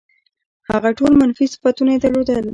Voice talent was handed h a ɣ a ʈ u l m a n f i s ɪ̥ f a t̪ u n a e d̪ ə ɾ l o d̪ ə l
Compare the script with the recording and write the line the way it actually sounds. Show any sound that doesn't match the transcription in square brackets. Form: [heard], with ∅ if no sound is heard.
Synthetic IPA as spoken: h a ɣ a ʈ [o] l m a n f i s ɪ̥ f a t̪ u n a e d̪ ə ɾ l o d̪ ə l

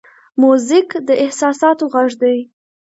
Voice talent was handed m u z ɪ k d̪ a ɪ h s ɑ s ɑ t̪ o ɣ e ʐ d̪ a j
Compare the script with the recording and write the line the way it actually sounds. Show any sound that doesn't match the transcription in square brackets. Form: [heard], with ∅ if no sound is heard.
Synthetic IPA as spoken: m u z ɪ k d̪ [ə] ɪ h s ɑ s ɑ t̪ o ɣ [a] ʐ d̪ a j

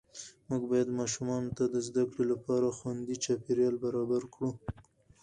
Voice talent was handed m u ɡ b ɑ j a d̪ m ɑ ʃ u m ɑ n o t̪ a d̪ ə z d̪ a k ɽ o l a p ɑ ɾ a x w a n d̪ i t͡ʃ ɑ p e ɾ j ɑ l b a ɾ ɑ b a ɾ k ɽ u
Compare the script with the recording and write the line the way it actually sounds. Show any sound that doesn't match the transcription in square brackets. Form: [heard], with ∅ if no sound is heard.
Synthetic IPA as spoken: m u ɡ b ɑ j a d̪ m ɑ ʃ u m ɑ n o t̪ a d̪ ə z d̪ a k ɽ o l a p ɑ ɾ a x w a n d̪ i t͡ʃ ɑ p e ɾ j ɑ l b a ɾ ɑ b a ɾ k ɽ u

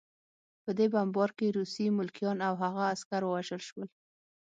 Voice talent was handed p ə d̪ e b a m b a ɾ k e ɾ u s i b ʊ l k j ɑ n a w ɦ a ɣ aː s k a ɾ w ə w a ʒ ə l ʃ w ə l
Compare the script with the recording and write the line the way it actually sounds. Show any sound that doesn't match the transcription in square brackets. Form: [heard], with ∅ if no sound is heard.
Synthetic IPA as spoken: p ə d̪ e b a m b [ɑ] ɾ k e ɾ u s i [m] ʊ l k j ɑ n a w ɦ a ɣ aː s k a ɾ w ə w a ʒ ə l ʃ w ə l

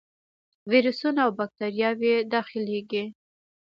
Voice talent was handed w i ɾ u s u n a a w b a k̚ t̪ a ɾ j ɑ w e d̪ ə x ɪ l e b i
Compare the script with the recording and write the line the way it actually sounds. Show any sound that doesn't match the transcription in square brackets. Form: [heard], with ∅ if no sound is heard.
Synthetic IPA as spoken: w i ɾ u s u n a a w b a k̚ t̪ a ɾ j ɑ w e d̪ [ɑ] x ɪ l e [ɡ] i

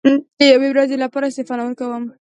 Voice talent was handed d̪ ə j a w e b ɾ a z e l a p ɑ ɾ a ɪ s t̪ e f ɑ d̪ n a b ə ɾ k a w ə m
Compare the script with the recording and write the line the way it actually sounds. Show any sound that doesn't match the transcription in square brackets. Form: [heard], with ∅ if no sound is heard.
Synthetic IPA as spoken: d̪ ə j a w e [w] ɾ a z e l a p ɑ ɾ a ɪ s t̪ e f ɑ [∅] n a [w] ə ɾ k a w ə m

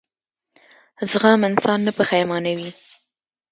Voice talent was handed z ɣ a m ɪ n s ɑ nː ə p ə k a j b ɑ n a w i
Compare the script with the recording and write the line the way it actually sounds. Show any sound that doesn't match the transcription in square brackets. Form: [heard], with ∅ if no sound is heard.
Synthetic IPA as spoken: z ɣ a m ɪ n s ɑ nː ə p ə [x] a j [m] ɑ n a w i

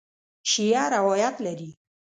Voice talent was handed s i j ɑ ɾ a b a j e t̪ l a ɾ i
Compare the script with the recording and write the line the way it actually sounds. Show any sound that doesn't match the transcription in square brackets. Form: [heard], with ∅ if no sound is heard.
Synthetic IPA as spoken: [ʃ] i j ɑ ɾ a [w] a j [a] t̪ l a ɾ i

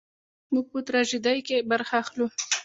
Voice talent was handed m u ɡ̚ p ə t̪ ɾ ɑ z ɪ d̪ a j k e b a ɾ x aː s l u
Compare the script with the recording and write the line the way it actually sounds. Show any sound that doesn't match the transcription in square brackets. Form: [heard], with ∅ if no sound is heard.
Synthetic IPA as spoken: m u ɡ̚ p ə t̪ ɾ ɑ [ʒ] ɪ d̪ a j k e b a ɾ x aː [x] l u

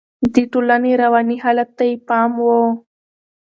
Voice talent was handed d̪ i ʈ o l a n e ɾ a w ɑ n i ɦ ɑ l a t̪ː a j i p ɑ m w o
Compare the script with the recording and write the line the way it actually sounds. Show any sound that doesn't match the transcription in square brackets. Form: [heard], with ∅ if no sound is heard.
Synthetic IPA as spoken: d̪ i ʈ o l a n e ɾ a w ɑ n i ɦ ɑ l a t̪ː a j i p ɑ m w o

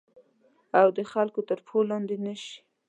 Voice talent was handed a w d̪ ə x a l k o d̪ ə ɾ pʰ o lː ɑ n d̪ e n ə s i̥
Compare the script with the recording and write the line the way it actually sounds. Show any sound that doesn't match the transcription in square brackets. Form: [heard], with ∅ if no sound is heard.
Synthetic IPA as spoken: a w d̪ ə x a l k o [t̪] ə ɾ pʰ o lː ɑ n d̪ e n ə [ʃ] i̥

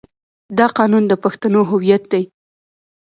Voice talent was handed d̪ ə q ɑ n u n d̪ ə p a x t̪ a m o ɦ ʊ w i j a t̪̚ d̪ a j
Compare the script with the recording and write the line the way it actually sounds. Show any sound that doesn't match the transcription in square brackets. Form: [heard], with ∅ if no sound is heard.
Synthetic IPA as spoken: d̪ [ɑ] q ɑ n u n d̪ ə p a x t̪ a [n] o ɦ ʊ w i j a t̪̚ d̪ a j

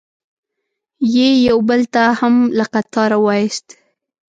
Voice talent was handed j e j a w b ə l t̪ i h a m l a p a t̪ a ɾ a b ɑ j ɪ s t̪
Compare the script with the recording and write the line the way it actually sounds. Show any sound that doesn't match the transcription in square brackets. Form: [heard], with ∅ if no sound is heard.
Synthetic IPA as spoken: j e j a w b ə l t̪ [a] h a m l a [q] a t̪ [ɑ] ɾ a [w] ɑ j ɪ s t̪

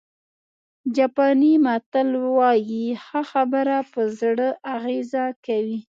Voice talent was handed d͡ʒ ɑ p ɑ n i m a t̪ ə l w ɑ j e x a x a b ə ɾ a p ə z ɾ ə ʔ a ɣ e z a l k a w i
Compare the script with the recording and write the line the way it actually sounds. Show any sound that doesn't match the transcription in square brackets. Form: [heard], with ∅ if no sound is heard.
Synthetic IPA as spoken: d͡ʒ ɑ p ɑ n i m a t̪ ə l w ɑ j [i] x a x a b ə ɾ a p ə z [ɽ] ə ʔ a ɣ e z a [∅] k a w i

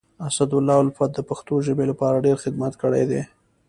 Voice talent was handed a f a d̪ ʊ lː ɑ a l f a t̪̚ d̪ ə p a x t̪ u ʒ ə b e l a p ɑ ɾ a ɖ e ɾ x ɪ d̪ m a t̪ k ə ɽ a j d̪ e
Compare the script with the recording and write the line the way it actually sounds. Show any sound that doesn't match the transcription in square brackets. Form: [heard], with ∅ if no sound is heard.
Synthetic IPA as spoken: a [s] a d̪ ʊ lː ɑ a l f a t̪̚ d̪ ə p a x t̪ [o] ʒ ə b e l a p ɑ ɾ a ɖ e ɾ x ɪ d̪ m a t̪ k ə ɽ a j d̪ e

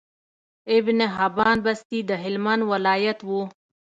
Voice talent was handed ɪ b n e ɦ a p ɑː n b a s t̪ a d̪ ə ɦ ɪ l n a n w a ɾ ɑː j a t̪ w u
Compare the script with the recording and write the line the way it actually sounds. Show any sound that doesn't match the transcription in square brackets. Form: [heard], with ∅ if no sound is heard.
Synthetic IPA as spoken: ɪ b n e ɦ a [b] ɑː n b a s t̪ [i] d̪ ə ɦ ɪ l [m] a n w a [l] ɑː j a t̪ w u

